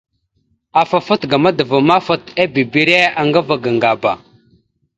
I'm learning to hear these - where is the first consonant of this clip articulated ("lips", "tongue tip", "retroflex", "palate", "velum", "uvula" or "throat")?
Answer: lips